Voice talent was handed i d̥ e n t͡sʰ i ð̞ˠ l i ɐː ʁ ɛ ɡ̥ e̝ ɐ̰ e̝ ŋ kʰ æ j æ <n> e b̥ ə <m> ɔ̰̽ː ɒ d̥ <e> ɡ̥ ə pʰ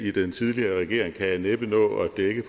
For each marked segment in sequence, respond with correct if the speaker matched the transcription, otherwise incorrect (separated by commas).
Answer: correct, incorrect, correct